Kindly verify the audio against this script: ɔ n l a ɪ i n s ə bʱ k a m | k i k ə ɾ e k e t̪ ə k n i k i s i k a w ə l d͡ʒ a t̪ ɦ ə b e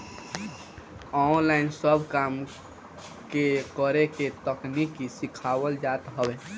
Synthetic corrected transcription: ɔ n l a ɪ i n s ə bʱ k a m | k e k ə ɾ e k e t̪ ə k n i k i s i kʰ a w ə l d͡ʒ a t̪ ɦ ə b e